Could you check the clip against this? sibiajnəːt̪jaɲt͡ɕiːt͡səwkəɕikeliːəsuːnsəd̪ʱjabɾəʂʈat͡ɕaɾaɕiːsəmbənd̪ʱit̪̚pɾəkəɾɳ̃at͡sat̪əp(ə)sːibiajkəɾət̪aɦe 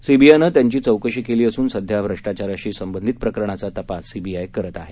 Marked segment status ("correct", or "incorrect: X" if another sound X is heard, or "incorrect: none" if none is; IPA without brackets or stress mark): incorrect: a